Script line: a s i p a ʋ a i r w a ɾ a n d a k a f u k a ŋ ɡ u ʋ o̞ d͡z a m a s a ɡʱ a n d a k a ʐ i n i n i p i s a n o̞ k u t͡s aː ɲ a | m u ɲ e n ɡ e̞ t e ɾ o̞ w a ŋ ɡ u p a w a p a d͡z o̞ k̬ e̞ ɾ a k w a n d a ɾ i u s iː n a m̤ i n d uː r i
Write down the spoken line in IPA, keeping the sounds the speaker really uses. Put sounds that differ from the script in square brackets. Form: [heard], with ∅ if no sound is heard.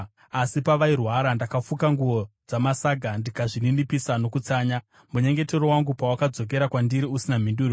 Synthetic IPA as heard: a s i p a ʋ a i r w a ɾ a n d a k a f u k a ŋ ɡ u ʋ o̞ d͡z a m a s a ɡʱ a n d [i] k a ʐ i n i n i p i s a n o̞ k u t͡s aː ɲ a | m u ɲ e [ŋ] ɡ e̞ t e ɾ o̞ w a ŋ ɡ u p a w a [k] a d͡z o̞ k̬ e̞ ɾ a k w a n d [i] ɾ i u s [i] n a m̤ i n d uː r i

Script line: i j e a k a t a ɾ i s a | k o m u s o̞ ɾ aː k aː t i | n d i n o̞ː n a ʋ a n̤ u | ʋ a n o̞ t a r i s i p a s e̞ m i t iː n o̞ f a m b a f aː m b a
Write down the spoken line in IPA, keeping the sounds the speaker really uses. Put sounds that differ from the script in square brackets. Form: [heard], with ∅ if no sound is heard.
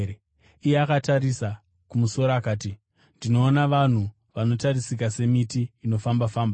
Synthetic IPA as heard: i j e a k a t a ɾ i s a | k [u] m u s o̞ ɾ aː k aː t i | n d i n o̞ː n a ʋ a n̤ u | ʋ a n o̞ t a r i s i [k] a s e̞ m i t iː n o̞ f a m b a f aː m b a

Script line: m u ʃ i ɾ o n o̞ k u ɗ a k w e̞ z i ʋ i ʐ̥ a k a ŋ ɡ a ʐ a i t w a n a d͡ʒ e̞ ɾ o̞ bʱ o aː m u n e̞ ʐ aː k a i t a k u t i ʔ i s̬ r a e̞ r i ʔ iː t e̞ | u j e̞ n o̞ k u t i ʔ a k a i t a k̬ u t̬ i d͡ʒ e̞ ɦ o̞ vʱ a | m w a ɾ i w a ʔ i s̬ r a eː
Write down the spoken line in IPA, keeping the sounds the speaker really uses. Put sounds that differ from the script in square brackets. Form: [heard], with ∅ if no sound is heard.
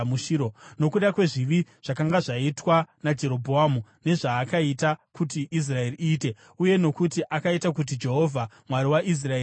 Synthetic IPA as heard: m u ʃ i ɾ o n o̞ k u ɗ a k w e̞ [ʐ] i ʋ i ʐ̥ a k a ŋ ɡ a ʐ a i t w a n a d͡ʒ e̞ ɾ o̞ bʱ o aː m u n e̞ ʐ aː k a i t a k u t i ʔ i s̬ r a e̞ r i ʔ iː t e̞ | u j e̞ n o̞ k u t i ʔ a k a i t a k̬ u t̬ i d͡ʒ e̞ ɦ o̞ vʱ a | m w a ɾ i w a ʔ i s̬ r a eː

